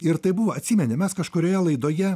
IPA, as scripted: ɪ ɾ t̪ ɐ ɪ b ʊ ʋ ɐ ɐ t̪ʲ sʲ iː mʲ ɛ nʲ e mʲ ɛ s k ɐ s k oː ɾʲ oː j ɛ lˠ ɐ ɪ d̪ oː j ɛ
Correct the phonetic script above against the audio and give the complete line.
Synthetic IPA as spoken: ɪ ɾ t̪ ɐ ɪ b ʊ ʋ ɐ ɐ t̪ʲ sʲ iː mʲ ɛ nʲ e mʲ ɛ s k ɐ ʃ k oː ɾʲ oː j ɛ lˠ ɐ ɪ d̪ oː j ɛ